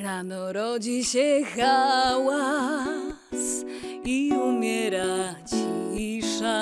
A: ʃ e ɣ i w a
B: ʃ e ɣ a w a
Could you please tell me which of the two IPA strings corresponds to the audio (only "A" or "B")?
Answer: B